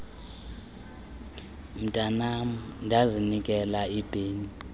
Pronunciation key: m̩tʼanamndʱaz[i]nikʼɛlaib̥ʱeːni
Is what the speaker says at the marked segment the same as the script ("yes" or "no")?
yes